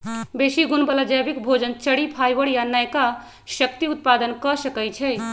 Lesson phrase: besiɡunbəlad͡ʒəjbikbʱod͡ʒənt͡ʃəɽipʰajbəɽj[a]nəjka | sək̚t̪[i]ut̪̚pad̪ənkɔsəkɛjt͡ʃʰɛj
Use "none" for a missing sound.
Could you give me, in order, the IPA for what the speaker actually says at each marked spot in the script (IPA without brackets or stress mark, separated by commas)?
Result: a, i